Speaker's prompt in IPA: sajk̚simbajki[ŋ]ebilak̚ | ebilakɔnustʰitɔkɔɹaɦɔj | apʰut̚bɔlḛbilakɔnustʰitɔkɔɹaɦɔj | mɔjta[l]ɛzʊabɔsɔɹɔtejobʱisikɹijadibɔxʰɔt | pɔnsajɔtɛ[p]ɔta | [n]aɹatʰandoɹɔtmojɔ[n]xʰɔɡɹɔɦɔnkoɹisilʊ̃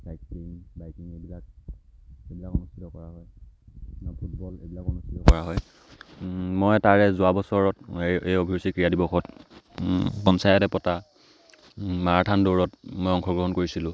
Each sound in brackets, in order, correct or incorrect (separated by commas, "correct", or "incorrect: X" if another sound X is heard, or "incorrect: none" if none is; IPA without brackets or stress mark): correct, incorrect: ɹ, correct, incorrect: m, incorrect: ŋ